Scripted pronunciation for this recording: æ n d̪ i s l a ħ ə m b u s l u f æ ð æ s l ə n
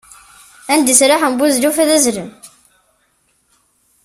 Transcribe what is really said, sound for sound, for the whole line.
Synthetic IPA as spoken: æ n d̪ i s ɾ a ħ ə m b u z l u f æ ð æ z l ə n